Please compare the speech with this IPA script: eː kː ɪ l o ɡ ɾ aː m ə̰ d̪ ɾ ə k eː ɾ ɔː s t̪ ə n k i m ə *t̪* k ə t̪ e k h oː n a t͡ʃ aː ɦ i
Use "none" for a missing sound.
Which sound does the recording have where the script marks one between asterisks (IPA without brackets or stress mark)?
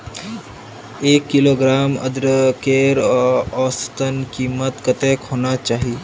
t̪